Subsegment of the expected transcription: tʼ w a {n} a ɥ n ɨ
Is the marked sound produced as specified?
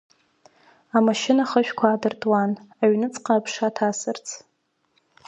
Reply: yes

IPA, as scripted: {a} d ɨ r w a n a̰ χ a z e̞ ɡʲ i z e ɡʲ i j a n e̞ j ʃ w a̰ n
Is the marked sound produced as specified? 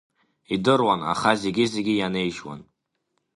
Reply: no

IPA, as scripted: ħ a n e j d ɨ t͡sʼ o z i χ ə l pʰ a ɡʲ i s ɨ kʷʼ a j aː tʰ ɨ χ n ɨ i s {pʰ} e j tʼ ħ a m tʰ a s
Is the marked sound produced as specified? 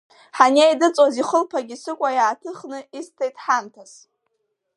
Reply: no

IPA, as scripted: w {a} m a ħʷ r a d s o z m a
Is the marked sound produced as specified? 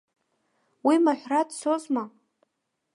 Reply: no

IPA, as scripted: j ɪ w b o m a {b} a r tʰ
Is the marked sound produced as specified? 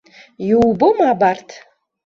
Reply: yes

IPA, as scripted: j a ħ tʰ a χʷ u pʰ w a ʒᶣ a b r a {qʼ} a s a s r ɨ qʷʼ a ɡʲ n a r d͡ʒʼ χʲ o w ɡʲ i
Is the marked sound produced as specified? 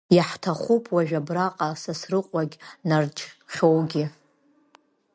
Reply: yes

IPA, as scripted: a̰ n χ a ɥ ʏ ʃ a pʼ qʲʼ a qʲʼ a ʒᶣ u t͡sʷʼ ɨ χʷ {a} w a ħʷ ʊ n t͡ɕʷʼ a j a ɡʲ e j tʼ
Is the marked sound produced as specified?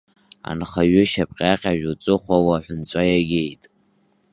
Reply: yes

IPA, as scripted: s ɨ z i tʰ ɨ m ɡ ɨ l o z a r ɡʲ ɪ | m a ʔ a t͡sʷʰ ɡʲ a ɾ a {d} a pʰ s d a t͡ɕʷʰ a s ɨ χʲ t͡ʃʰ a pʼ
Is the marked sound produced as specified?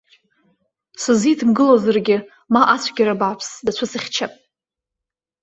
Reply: no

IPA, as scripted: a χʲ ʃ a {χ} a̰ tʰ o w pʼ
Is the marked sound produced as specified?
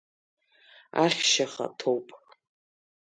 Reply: yes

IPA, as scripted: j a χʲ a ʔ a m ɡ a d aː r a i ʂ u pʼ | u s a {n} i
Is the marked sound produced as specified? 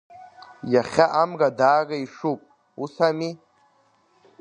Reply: no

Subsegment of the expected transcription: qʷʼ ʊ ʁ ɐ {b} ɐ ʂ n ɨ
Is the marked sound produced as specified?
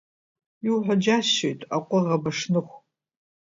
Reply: yes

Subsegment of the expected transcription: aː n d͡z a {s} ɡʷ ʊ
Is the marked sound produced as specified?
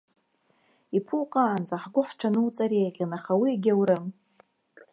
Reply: no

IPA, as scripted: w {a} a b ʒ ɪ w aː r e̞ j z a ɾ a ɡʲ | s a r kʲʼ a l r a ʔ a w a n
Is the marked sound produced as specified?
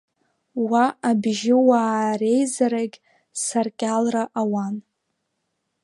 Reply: yes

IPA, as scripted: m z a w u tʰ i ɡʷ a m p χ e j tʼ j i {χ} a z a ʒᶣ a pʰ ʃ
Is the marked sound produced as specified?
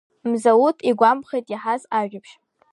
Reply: no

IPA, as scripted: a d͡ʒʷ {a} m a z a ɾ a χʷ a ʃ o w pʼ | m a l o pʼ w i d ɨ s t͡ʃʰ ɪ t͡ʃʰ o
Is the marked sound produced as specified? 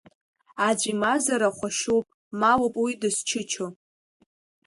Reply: no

